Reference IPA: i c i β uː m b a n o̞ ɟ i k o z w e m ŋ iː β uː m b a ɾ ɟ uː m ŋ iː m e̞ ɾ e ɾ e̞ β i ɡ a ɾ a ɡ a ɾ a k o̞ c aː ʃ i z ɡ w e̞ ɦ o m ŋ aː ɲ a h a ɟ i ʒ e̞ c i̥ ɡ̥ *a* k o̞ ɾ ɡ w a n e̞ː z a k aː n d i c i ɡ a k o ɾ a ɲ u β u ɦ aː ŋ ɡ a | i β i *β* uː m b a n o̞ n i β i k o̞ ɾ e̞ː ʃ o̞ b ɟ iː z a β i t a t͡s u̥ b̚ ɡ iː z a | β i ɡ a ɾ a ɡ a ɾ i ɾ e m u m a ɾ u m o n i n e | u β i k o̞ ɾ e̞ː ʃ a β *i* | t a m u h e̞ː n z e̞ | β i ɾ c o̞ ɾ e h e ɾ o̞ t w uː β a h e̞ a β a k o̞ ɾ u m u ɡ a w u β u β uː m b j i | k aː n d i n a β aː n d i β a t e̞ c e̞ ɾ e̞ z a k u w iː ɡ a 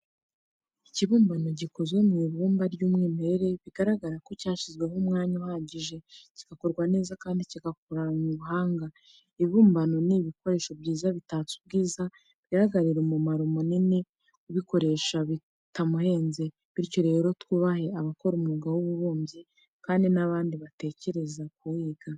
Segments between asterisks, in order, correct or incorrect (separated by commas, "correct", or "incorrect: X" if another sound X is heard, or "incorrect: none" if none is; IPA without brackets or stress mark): correct, correct, correct